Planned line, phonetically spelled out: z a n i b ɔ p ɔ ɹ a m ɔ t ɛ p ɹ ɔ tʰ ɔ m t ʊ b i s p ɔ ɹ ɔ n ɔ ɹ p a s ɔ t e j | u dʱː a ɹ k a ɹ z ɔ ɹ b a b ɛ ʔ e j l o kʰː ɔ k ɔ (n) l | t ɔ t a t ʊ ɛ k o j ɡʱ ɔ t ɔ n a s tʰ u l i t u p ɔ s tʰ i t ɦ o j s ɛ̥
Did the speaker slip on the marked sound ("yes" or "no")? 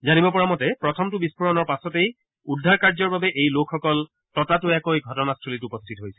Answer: yes